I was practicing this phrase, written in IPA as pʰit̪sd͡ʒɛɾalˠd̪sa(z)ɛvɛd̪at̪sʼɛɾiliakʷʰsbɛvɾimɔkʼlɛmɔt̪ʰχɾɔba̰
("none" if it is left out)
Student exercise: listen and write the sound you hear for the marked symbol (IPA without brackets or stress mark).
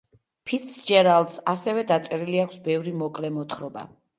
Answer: s